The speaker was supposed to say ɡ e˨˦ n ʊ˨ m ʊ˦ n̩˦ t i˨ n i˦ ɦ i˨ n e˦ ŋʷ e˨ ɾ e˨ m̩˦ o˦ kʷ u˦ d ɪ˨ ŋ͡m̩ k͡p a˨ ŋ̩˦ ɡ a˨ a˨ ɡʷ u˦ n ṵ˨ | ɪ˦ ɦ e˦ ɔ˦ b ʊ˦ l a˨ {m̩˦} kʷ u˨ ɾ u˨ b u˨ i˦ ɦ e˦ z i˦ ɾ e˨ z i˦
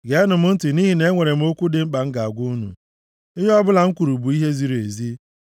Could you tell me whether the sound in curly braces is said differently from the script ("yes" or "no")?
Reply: yes